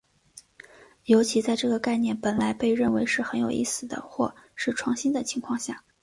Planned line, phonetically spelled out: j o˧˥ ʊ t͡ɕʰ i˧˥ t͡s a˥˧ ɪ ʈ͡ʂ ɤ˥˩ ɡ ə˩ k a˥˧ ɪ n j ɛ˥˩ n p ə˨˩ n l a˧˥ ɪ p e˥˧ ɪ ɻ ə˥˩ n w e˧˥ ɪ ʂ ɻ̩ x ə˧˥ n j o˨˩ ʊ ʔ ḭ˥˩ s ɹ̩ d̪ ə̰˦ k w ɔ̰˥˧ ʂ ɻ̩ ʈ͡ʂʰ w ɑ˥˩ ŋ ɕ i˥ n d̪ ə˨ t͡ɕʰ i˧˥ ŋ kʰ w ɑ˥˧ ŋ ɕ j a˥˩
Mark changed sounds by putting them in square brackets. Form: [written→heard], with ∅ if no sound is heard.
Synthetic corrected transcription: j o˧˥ ʊ t͡ɕʰ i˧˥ t͡s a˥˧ ɪ ʈ͡ʂ ɤ˥˩ ɡ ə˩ k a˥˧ ɪ n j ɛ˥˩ n p ə˨˩ n l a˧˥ ɪ p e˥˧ ɪ ɻ ə˥˩ n w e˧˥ ɪ ʂ ɻ̩ x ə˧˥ n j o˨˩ ʊ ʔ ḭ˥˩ s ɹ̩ d̪ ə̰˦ [k→x] w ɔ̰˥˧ ʂ ɻ̩ ʈ͡ʂʰ w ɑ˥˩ ŋ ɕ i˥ n d̪ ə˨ t͡ɕʰ i˧˥ ŋ kʰ w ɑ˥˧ ŋ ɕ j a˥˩